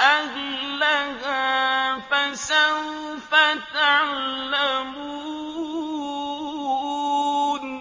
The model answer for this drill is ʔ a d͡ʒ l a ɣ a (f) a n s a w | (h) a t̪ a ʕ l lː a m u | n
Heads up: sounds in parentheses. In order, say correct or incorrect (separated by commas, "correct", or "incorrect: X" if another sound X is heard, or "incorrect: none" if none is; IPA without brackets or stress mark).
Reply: correct, incorrect: f